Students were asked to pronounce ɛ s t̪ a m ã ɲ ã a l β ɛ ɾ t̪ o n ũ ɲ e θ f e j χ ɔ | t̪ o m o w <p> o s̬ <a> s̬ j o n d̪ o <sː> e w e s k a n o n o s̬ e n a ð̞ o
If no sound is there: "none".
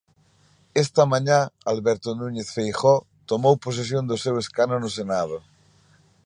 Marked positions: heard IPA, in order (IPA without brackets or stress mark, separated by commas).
p, e, s